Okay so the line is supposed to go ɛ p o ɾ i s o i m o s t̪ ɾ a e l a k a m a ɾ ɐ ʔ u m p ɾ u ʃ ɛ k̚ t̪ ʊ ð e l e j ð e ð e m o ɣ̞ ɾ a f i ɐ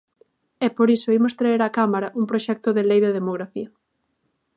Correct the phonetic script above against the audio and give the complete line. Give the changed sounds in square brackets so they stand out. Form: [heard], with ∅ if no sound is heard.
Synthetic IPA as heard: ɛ p o ɾ i s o i m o s t̪ ɾ a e [ɾ] a k a m a ɾ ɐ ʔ u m p ɾ [o] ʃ ɛ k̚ t̪ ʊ ð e l e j ð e ð e m o ɣ̞ ɾ a f i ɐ